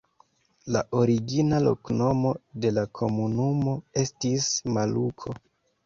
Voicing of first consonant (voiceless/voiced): voiced